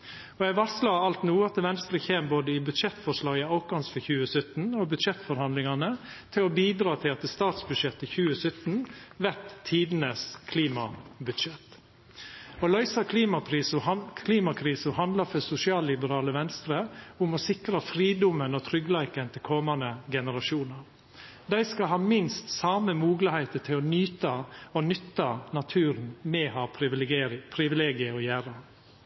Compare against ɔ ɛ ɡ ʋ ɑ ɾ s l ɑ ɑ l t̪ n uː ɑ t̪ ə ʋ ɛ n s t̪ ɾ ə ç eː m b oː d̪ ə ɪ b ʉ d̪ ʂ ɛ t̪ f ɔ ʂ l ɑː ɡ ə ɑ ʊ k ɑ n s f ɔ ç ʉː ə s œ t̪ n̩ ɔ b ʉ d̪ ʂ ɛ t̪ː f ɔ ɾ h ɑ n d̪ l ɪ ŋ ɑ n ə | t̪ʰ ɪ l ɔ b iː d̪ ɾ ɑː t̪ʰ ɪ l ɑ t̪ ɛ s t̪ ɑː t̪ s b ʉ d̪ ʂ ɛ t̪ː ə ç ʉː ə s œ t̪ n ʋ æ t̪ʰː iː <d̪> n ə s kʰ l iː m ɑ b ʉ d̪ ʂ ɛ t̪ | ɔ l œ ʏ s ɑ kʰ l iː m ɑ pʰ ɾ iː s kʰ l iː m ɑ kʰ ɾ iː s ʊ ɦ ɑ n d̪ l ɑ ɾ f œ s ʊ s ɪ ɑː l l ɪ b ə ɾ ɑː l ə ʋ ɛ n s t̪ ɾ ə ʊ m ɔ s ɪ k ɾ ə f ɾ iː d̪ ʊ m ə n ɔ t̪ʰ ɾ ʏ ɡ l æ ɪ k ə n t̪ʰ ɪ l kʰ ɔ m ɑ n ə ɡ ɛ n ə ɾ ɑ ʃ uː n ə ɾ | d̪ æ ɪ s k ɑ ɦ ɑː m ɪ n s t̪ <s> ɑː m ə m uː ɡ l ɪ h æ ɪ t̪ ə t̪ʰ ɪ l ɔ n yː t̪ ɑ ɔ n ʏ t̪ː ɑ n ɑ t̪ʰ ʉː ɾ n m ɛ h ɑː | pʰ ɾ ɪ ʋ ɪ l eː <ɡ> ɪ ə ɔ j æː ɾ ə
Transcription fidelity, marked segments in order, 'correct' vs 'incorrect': correct, correct, correct

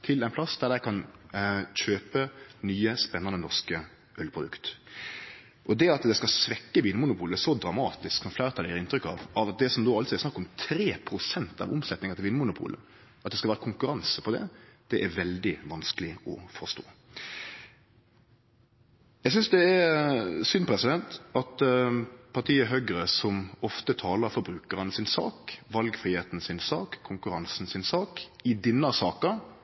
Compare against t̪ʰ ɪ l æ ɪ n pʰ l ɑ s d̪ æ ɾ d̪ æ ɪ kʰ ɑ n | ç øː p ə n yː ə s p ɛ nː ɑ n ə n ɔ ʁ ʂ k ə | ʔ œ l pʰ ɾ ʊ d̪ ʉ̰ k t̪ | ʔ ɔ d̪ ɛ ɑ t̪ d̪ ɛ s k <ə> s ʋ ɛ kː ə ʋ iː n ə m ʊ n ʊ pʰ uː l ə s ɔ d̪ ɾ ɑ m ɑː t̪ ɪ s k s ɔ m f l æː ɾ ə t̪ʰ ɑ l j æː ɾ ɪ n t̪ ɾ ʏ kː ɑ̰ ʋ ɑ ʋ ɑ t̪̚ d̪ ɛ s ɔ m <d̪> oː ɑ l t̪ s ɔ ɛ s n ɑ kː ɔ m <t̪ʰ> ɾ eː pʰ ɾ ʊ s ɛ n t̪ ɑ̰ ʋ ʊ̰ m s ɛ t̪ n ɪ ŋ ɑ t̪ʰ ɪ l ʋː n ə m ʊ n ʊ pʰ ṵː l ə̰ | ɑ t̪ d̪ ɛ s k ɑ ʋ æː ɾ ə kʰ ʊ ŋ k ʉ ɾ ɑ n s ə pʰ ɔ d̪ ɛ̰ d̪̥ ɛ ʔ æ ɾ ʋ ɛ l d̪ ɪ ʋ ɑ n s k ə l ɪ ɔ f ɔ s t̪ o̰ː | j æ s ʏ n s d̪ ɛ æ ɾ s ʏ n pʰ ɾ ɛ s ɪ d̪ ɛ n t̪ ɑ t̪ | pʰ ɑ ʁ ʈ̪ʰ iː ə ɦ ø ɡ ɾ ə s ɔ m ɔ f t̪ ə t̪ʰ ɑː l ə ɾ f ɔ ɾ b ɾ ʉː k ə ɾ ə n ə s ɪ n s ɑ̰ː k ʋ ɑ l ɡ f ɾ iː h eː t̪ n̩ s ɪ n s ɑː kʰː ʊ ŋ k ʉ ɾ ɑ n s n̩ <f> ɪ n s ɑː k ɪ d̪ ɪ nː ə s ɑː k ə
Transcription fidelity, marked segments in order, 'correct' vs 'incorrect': incorrect: ɑ, correct, correct, incorrect: s

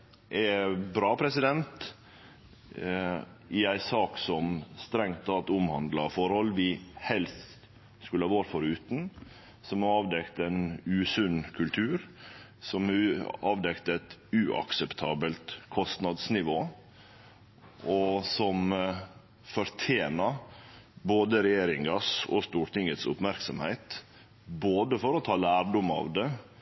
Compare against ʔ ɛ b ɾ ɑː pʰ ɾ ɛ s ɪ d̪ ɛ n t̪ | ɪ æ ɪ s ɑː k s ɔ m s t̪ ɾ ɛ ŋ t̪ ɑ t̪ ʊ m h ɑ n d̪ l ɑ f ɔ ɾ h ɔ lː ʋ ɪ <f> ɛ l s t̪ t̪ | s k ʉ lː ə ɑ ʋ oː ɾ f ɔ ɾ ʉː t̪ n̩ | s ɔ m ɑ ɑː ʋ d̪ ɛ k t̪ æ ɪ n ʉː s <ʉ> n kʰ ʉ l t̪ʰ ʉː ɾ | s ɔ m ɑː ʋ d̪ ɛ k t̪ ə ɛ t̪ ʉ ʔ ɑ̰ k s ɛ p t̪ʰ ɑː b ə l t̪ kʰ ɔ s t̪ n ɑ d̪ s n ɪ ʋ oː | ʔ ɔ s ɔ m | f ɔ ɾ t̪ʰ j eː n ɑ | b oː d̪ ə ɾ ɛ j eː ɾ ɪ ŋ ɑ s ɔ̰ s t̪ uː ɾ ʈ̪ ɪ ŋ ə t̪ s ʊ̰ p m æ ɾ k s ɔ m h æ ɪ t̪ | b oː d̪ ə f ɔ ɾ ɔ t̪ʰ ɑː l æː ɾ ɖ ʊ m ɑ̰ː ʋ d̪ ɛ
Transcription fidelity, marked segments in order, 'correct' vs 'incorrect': incorrect: h, correct

